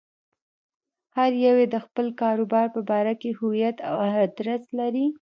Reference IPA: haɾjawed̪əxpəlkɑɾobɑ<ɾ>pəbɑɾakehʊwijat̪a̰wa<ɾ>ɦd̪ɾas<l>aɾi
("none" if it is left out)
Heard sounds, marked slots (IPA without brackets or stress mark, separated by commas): ɾ, none, l